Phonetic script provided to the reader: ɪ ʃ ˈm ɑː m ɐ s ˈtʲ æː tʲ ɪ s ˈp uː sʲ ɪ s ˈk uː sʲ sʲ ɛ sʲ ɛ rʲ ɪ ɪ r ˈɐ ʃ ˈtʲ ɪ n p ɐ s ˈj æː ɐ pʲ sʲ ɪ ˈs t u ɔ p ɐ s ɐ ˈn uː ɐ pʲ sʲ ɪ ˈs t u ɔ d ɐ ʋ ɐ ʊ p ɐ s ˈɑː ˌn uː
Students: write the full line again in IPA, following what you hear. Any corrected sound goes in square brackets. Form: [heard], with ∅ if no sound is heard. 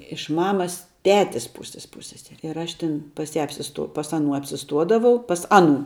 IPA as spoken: ɪ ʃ ˈm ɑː m ɐ s ˈtʲ æː tʲ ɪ s ˈp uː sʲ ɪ s [ˈp] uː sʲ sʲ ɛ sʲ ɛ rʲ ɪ ɪ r ˈɐ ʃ ˈtʲ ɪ n p ɐ s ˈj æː ɐ pʲ sʲ ɪ ˈs t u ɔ p ɐ s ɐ ˈn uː ɐ pʲ sʲ ɪ ˈs t u ɔ d ɐ ʋ ɐ ʊ p ɐ s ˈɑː ˌn uː